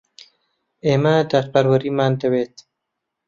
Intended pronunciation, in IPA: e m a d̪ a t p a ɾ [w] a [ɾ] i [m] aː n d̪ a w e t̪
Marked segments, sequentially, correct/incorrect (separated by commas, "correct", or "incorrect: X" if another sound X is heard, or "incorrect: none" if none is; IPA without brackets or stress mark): correct, correct, correct